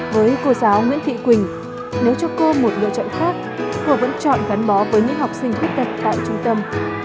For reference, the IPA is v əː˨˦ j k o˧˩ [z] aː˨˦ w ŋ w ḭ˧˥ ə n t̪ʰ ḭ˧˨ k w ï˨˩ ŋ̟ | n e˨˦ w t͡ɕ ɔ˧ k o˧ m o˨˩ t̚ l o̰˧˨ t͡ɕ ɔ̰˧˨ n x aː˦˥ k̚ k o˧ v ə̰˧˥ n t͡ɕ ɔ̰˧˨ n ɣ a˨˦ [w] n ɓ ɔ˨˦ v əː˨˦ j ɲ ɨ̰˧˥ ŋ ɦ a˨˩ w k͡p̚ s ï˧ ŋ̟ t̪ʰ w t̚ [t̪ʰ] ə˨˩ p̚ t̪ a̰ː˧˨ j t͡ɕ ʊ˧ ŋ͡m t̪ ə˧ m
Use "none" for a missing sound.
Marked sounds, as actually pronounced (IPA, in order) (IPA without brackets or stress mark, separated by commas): z, none, t̪